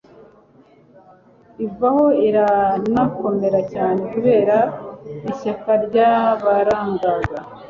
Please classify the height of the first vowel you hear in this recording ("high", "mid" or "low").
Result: high